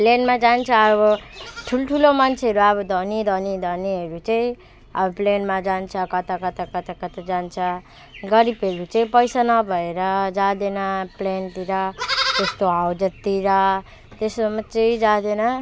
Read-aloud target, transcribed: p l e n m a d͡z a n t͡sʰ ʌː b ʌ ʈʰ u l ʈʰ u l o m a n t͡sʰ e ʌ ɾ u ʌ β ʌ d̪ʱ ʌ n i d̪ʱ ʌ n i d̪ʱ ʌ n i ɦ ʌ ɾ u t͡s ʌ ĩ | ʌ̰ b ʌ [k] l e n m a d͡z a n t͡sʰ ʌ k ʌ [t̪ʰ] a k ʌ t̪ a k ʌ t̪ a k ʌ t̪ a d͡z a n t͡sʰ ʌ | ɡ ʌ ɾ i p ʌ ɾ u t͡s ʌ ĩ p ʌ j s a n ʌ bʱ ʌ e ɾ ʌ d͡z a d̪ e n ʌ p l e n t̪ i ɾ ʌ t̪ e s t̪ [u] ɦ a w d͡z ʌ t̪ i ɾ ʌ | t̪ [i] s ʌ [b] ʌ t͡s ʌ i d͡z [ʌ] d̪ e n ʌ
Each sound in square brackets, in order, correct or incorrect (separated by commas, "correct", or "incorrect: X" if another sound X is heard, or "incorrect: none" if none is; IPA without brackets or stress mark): incorrect: p, incorrect: t̪, incorrect: o, incorrect: e, incorrect: m, incorrect: a